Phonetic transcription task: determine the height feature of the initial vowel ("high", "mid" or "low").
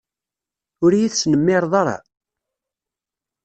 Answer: high